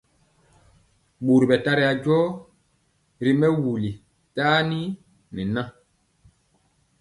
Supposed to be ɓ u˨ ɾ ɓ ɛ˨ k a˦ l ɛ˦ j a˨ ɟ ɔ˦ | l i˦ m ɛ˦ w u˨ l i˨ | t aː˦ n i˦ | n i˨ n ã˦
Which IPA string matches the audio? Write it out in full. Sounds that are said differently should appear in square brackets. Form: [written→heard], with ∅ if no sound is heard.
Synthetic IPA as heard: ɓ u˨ ɾ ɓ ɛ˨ [k→t] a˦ [l→ɾ] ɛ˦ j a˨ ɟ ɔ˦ | [l→ɾ] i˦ m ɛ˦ w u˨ l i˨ | t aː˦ n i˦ | n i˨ n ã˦